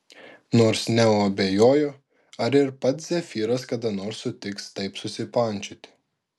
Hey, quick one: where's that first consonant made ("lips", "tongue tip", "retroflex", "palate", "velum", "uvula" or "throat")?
tongue tip